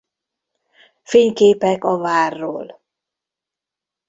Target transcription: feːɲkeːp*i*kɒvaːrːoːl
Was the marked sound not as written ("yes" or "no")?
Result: yes